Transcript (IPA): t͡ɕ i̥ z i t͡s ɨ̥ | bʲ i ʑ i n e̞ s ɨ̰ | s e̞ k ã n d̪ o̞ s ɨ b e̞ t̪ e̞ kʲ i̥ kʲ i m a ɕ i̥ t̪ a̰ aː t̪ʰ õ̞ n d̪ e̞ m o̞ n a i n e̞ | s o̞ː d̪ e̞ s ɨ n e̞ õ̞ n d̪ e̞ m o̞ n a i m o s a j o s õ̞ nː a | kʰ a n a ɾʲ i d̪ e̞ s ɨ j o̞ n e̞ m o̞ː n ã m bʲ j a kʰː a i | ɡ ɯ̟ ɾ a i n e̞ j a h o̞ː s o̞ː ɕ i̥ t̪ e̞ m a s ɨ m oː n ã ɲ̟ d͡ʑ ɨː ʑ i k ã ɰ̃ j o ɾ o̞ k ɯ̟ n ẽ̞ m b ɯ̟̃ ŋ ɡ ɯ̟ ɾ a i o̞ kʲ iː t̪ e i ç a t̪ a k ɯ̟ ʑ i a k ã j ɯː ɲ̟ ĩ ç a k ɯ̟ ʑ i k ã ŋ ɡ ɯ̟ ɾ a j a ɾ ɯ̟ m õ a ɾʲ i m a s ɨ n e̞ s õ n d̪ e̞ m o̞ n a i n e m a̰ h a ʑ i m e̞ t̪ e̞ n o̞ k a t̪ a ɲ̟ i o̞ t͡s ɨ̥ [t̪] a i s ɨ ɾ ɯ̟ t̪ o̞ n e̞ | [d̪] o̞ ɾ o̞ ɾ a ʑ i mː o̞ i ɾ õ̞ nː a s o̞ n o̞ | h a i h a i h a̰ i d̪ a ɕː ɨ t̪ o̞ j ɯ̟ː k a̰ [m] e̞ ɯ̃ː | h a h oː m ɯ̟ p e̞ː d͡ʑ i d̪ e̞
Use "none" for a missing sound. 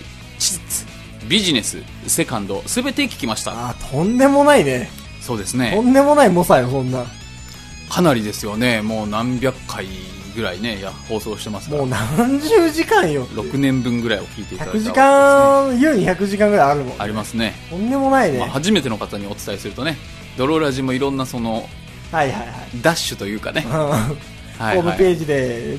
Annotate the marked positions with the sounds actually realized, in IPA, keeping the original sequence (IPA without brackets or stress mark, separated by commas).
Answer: t̪, d̪, n